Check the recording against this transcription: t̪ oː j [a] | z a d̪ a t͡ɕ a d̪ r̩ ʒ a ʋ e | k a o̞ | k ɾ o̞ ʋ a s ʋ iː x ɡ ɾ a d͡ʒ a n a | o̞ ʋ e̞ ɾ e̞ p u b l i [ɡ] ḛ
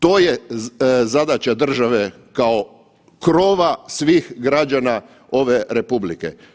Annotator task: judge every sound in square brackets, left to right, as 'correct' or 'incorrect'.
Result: incorrect, incorrect

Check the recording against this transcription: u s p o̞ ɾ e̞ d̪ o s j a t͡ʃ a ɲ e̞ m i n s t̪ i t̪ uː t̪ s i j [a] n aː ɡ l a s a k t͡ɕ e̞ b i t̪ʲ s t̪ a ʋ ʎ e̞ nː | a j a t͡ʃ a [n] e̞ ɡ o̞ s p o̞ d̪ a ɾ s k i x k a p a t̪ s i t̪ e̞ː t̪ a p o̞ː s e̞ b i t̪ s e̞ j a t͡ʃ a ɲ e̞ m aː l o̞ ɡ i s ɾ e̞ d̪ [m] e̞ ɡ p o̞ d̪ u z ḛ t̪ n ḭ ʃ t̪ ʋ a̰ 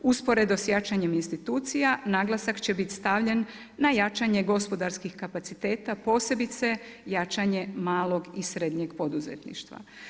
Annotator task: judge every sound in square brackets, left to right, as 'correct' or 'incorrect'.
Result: correct, incorrect, incorrect

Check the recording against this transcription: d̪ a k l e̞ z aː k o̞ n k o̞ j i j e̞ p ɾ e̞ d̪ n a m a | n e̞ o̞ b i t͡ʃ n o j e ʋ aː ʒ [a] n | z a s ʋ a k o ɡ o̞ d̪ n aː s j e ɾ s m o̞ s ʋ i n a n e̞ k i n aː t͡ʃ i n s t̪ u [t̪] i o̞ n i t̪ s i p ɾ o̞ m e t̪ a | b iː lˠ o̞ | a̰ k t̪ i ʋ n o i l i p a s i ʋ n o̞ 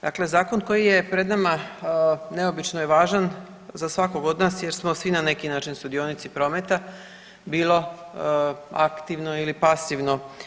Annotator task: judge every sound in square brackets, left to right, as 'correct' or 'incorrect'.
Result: correct, incorrect

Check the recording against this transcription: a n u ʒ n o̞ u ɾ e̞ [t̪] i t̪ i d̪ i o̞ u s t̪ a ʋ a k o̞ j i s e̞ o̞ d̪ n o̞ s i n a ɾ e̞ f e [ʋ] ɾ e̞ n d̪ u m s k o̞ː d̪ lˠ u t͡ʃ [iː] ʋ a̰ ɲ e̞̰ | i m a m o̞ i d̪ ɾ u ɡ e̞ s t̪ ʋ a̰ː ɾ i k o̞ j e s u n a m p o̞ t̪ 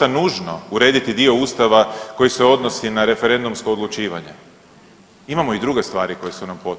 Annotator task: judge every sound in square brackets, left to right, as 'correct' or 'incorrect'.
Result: incorrect, incorrect, correct

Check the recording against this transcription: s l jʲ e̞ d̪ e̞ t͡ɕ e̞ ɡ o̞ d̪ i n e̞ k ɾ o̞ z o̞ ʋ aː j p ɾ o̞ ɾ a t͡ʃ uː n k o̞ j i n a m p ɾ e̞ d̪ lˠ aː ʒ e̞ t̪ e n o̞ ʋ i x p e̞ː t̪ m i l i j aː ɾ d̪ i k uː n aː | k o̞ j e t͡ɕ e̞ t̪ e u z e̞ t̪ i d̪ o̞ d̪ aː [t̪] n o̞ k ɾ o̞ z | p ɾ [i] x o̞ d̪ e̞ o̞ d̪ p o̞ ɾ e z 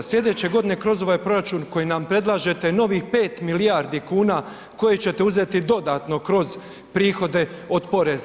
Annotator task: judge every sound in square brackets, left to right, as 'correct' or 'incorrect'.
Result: correct, incorrect

